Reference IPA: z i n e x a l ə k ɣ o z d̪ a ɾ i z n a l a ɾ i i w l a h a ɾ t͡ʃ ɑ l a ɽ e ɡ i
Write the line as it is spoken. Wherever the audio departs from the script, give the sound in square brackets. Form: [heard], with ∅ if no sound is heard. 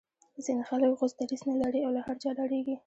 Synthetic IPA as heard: z i n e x a l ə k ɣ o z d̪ a ɾ i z n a l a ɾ i [a] w l a h a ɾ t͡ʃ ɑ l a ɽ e ɡ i